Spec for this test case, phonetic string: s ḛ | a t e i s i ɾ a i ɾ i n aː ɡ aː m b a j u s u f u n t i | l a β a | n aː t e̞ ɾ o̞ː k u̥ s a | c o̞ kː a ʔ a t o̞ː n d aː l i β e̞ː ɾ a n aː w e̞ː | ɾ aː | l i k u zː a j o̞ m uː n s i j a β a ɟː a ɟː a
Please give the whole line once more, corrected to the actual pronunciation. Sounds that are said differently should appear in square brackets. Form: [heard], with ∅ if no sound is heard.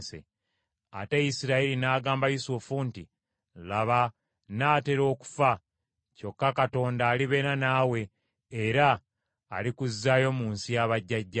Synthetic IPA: s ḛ | a t e i s i ɾ a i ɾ i n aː ɡ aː m b a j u s u f u n t i | l a β a | n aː t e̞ ɾ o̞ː k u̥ [f] a | c o̞ kː a [k] a t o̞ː n d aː l i β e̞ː ɾ a n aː w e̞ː | ɾ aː | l i k u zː a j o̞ m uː n s i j a β a ɟː a ɟː a